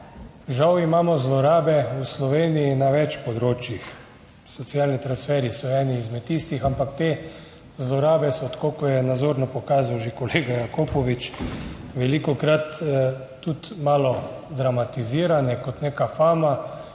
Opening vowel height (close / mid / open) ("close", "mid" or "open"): open